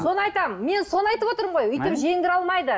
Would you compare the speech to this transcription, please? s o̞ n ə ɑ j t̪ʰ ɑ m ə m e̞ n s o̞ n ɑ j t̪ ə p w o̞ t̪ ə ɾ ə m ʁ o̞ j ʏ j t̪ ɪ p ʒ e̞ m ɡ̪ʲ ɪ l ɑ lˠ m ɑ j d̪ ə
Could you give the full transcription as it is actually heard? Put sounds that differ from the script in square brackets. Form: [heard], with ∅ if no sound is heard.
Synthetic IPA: s o̞ n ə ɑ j [t̪] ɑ m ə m e̞ n s o̞ n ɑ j t̪ ə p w o̞ t̪ ə ɾ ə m ʁ o̞ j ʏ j t̪ ɪ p ʒ e̞ [ŋ] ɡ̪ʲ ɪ [ɾ] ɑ lˠ m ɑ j d̪ ə